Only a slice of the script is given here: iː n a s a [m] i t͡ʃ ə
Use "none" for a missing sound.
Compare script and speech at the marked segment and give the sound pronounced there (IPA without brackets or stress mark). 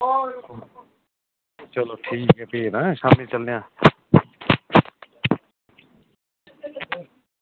m